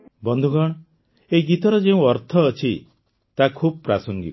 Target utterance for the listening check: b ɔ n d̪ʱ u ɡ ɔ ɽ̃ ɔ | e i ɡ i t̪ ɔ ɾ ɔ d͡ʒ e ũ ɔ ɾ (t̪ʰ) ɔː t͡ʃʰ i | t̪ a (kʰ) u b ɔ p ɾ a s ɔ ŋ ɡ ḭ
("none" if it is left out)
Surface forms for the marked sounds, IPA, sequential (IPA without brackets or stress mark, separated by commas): t̪ʰ, kʰ